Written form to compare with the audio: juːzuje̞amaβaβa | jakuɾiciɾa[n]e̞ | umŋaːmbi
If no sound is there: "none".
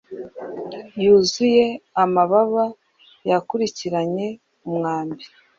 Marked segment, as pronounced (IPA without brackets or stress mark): ɲ